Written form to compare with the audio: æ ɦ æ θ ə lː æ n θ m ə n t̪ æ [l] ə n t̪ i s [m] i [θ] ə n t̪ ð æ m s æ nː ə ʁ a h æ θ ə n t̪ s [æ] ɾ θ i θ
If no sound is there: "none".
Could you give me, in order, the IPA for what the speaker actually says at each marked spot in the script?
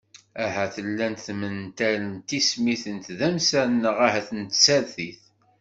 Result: l, m, θ, æ

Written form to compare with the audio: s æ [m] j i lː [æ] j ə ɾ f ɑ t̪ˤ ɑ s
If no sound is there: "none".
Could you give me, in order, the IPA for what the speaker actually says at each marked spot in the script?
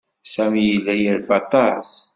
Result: m, æ

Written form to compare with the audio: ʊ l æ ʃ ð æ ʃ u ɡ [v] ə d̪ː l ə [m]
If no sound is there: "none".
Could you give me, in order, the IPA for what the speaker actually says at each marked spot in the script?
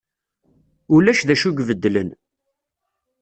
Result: v, n

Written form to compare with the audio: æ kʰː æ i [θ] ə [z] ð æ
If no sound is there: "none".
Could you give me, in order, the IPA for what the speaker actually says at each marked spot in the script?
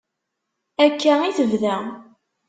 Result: θ, v

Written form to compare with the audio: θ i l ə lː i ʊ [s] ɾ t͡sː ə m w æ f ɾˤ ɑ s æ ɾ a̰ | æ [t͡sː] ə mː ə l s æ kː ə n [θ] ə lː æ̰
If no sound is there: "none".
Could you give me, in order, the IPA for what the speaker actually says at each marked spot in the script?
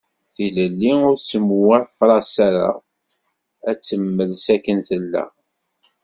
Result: none, t͡sː, θ

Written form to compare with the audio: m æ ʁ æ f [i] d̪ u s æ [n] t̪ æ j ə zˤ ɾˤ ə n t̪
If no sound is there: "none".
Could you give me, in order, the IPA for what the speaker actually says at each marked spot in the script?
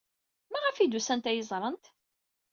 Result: i, n

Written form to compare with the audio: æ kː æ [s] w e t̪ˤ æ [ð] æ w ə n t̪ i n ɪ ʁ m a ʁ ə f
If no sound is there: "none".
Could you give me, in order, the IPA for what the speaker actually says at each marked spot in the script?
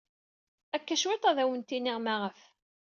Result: ʃ, ð

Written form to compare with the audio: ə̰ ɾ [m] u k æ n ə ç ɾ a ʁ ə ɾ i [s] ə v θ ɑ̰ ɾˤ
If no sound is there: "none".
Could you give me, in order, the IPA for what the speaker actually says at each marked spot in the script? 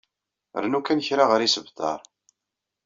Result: n, s

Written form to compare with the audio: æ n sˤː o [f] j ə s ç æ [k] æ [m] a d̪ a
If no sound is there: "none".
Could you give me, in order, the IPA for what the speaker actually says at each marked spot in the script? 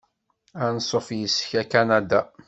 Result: f, k, n

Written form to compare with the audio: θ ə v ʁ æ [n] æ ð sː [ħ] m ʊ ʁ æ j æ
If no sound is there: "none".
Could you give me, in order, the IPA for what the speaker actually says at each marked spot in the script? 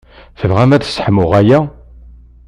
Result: m, ħ

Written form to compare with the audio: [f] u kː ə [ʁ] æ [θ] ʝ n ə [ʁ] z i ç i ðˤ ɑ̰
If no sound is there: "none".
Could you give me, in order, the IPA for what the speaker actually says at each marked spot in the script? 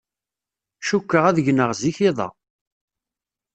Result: ʃ, ʁ, ð, ʁ

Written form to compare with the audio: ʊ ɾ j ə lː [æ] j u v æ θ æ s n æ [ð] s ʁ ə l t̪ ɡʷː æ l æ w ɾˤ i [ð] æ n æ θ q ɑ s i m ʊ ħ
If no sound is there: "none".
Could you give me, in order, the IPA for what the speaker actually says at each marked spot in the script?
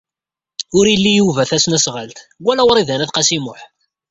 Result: i, none, ð

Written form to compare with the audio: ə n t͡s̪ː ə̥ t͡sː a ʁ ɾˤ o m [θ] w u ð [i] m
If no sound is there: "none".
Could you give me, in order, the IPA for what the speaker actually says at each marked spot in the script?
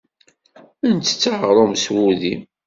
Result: s, i

